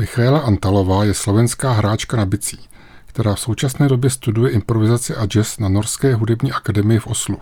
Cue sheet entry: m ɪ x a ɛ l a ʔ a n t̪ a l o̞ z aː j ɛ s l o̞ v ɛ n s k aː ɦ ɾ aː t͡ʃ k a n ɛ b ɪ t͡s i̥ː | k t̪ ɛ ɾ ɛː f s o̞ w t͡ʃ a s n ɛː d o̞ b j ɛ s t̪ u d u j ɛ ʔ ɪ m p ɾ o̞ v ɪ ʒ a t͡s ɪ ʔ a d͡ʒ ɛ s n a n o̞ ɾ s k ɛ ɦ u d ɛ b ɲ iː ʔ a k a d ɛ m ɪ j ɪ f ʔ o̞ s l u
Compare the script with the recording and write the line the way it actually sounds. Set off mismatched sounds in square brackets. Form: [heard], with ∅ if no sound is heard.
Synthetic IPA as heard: m ɪ x a ɛ l a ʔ a n t̪ a l o̞ [v] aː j ɛ s l o̞ v ɛ n s k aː ɦ ɾ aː t͡ʃ k a n [a] b ɪ t͡s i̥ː | k t̪ ɛ ɾ [aː] f s o̞ w t͡ʃ a s n ɛː d o̞ b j ɛ s t̪ u d u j ɛ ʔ ɪ m p ɾ o̞ v ɪ [z] a t͡s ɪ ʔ a d͡ʒ ɛ s n a n o̞ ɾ s k [ɛː] ɦ u d ɛ b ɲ iː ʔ a k a d ɛ m ɪ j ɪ f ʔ o̞ s l u